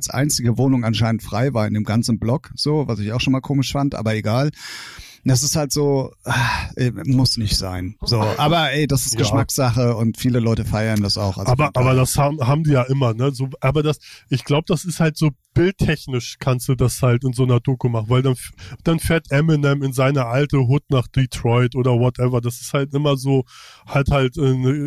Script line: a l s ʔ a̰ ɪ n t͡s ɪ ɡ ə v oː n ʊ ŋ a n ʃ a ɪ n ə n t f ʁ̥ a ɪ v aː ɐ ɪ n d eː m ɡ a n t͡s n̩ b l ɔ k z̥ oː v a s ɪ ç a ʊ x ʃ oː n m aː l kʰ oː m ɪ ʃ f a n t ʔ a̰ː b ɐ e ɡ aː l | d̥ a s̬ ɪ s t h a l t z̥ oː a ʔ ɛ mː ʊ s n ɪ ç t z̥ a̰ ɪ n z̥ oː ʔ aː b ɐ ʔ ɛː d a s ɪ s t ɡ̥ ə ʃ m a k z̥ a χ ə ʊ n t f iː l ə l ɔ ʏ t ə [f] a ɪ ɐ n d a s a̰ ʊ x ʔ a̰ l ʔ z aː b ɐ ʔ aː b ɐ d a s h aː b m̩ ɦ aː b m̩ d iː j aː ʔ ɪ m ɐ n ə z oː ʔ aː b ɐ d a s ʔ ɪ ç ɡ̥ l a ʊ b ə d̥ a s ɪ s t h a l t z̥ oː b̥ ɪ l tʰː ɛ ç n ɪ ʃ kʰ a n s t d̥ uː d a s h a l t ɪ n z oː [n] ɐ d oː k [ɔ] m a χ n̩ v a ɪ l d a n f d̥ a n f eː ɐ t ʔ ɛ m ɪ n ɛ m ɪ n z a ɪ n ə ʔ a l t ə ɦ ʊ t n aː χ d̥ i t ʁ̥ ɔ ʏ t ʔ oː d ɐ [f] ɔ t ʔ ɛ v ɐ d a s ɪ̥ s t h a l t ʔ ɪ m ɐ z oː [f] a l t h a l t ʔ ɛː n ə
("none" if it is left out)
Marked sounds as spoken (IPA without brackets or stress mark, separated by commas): f, n, u, v, h